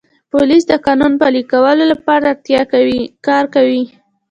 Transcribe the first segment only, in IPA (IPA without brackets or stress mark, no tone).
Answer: p